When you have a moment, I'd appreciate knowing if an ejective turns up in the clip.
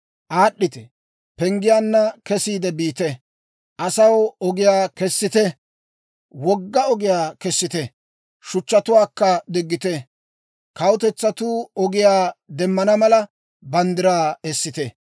no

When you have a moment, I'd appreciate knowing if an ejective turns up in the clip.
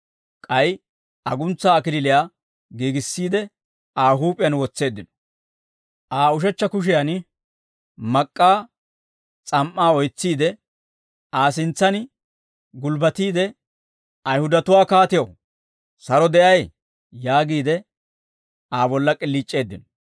yes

